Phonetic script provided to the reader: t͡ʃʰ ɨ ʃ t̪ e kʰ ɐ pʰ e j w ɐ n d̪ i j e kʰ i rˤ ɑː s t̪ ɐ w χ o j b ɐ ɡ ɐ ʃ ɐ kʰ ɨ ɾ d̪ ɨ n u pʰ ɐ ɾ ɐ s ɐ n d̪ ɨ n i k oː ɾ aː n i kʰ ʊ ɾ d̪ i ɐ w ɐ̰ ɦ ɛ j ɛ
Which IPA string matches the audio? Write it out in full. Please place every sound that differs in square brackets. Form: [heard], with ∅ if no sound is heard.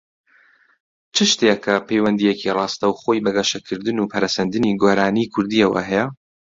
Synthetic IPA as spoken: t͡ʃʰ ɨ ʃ t̪ e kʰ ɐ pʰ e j w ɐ n d̪ i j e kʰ i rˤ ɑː s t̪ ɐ w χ o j b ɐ ɡ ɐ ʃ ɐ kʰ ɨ ɾ d̪ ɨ n u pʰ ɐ ɾ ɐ s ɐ n d̪ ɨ n i [ɡ] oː ɾ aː n i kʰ ʊ ɾ d̪ i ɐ w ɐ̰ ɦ ɛ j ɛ